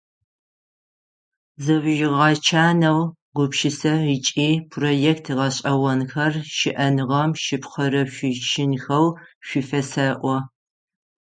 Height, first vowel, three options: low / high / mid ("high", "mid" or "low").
low